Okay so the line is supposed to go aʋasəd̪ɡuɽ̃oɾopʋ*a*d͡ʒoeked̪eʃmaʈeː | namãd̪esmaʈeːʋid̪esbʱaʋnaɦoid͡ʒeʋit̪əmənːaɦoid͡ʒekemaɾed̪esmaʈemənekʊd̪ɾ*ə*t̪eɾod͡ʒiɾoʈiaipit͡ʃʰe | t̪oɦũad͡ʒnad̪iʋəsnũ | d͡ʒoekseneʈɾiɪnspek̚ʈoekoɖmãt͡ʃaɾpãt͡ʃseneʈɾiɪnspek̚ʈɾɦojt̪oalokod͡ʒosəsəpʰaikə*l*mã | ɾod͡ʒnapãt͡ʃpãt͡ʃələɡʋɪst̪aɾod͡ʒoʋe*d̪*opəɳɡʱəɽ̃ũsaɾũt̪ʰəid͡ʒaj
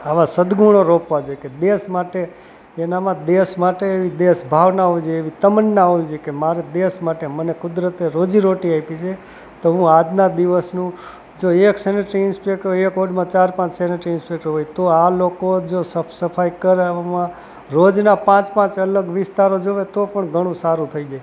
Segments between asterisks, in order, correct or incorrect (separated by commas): correct, correct, incorrect, incorrect